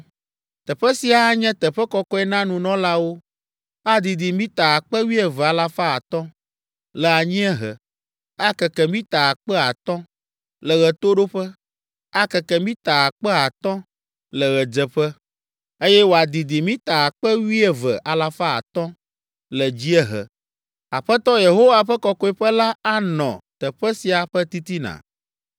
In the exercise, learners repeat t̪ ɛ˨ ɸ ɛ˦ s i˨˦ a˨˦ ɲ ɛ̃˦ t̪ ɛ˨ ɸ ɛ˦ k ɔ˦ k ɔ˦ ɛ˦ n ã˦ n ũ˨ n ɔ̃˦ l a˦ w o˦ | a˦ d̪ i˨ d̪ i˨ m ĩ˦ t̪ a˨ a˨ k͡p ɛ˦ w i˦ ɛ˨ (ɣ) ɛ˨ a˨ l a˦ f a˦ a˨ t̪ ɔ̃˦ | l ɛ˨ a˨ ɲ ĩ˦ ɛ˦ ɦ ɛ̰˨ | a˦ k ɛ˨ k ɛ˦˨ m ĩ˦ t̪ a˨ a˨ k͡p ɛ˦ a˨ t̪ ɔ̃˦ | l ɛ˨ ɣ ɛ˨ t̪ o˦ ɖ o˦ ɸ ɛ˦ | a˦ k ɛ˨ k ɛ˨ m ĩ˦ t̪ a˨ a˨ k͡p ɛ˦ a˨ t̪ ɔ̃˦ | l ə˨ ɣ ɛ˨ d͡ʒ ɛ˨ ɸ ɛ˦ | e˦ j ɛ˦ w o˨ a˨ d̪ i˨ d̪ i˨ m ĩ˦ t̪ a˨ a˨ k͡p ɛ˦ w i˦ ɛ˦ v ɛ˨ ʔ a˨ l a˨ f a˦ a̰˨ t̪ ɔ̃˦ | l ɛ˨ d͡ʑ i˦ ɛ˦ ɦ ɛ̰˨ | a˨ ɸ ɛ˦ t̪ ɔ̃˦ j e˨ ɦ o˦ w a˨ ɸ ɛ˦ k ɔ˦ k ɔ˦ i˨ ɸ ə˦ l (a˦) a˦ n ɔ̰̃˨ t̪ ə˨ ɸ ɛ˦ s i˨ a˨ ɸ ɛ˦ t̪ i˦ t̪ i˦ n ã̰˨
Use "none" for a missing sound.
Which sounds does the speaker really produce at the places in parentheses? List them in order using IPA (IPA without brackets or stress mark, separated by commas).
v, a˦